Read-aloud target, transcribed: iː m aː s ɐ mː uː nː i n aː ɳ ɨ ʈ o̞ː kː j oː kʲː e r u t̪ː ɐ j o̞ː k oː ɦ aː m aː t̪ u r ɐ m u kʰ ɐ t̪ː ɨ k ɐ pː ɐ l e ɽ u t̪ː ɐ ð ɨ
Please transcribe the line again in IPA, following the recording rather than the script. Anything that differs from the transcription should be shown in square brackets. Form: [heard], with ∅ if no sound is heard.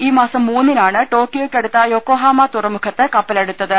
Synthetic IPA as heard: iː m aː s ɐ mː uː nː i n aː ɳ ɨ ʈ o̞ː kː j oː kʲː e [ɽ] u t̪ː ɐ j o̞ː k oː ɦ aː m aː t̪ u r ɐ m u kʰ ɐ t̪ː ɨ k ɐ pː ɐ l e ɽ u t̪ː ɐ ð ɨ